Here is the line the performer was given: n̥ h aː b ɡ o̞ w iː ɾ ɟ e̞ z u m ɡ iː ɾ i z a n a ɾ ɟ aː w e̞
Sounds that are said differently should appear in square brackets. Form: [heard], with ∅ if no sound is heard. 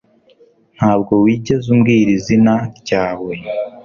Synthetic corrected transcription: n̥ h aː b ɡ o̞ w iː [∅] ɟ e̞ z u m ɡ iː ɾ i z [i] n a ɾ ɟ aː w e̞